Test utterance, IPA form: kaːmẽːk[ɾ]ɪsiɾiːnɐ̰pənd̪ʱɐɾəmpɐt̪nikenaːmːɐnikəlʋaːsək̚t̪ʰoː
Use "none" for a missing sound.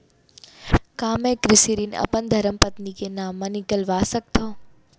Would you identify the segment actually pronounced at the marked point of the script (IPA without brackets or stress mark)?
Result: ɾ